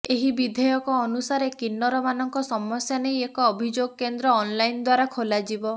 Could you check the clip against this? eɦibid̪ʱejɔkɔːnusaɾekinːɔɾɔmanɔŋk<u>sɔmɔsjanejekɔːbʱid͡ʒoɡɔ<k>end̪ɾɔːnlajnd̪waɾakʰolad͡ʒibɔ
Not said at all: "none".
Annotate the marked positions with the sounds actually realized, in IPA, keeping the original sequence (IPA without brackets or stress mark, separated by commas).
ɔ, k